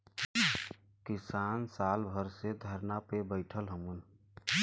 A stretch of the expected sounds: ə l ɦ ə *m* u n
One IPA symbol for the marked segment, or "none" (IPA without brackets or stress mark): m